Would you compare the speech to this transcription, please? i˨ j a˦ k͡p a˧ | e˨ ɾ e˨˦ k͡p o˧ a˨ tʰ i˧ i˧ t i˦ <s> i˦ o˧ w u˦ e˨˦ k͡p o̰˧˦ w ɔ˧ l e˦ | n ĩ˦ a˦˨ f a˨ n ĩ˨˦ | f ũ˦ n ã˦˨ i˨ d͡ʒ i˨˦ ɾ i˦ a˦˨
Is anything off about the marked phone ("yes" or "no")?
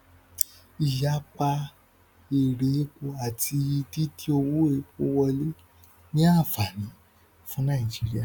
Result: yes